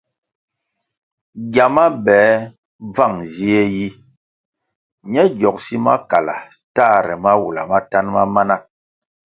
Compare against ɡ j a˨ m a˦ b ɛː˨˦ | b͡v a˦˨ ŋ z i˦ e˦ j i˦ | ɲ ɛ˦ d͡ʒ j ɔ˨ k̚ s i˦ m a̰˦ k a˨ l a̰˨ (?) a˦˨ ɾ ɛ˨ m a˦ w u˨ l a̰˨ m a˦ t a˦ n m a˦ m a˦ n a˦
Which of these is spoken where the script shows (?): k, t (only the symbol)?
t